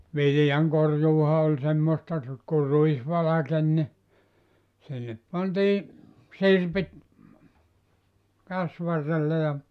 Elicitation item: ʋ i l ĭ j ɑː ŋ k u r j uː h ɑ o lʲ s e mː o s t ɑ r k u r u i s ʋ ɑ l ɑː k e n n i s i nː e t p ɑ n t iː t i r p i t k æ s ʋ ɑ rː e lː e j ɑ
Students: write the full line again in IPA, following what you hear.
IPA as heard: ʋ i l ĭ j ɑ ŋ k o r j uː h ɑ o lʲ s e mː o s t ɑ r k u r u i s ʋ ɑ l ɑ k e n n i s i nː e p p ɑ n t iː s i r p i t k æ s ʋ ɑ rː e lː e j ɑ

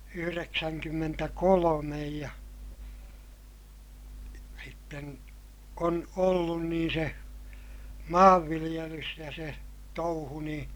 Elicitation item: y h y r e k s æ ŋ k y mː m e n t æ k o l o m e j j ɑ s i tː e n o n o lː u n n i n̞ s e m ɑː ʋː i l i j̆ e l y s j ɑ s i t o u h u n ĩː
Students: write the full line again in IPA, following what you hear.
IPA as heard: y h y r e k s æ ŋ k y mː m e n t æ k o l o m e j j ɑ s i tː e n o n o lː u n n iː n̞ s e m ɑː ʋː i l i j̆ e l y s j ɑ s e t o u h u n ĩː

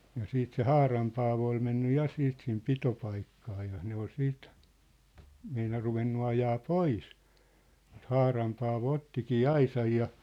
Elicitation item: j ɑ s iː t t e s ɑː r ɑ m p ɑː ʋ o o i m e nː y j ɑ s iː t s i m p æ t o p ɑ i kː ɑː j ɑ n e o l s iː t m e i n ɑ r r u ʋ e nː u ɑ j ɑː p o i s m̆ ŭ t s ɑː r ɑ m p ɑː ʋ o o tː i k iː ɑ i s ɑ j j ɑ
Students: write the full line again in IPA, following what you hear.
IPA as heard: j ɑ s iː t s e h ɑː r ɑ m p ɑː ʋ o o i m e nː y j ɑ s iː t s i m p i t o p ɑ i kː ɑː j ɑ n e o l s iː t m e i n ɑ r r u ʋ e nː u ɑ j ɑː p o i s m̆ ŭ t h ɑː r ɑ m p ɑː ʋ o o tː i k iː ɑ i s ɑ j j ɑ

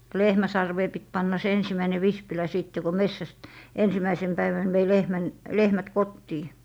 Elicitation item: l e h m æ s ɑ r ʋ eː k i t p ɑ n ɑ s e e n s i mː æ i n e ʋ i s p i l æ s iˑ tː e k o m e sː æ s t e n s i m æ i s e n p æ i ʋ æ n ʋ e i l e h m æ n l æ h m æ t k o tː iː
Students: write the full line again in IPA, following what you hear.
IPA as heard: l e h m æ s ɑ r ʋ eː p i t p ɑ nː ɑ s e e n s i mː æ i n e ʋ i s p i l æ s iˑ tː e k o m e sː æ s t e n s i m æ i s e n p æ i ʋ æ n ʋ e i l e h m æ n l e h m æ t k o tː iː

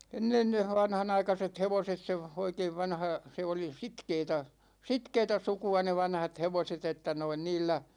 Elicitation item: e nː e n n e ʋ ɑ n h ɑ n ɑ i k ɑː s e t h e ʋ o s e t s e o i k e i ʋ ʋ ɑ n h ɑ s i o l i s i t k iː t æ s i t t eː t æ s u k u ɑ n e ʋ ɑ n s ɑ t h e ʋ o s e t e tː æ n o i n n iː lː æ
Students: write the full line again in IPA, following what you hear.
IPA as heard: e nː e n n e ʋ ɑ n h ɑ n ɑ i k ɑ s e t h e ʋ o s e t s e o i k e i ʋ ʋ ɑ n h ɑ s e o l i s i t k eː t æ s i t k eː t æ s u k u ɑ n e ʋ ɑ n h ɑ t h e ʋ o s e t e tː æ n o i n n iː lː æ

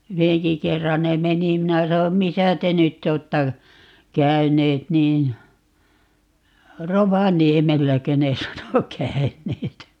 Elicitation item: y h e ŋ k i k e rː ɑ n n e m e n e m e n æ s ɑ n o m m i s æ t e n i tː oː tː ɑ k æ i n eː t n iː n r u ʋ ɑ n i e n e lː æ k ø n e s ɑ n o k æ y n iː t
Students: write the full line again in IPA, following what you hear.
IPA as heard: y h e ŋ k i k e rː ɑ n n e m e n i m i n æ s ɑ n o m m i s æ t e n y tː oː tː ɑ k æ y n eː t n iː n r o ʋ ɑ n i e m e lː æ k ø n e s ɑ n o k æ y n eː t

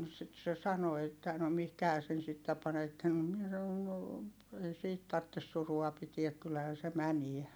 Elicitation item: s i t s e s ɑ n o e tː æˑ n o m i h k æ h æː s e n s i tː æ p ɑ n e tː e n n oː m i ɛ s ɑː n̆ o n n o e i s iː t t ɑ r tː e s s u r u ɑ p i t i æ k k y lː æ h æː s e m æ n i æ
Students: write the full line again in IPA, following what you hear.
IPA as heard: s i t s e s ɑ n o e tː æˑ n o m i h k æ h æː s e n s i tː æ p ɑ n e tː e n n o m i ɛ s ɑ n̆ o n n o e i s iː t t ɑ r tː e s s u r u ɑ p i t i æ k k y lː æ h æː s e m æ n i æ

